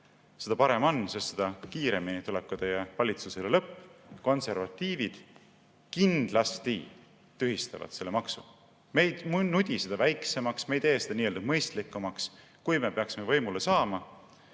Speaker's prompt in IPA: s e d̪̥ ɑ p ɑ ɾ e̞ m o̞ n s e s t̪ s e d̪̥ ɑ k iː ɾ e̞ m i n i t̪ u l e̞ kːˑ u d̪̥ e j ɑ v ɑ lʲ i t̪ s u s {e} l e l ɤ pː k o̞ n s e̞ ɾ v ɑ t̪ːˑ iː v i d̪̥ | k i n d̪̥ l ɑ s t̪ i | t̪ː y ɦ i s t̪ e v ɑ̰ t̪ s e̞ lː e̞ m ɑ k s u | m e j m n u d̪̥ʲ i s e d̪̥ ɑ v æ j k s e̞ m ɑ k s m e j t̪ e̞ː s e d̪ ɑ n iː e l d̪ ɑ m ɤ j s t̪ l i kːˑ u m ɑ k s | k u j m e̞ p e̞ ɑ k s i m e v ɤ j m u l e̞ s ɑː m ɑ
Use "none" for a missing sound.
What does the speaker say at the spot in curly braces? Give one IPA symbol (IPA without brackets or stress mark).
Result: e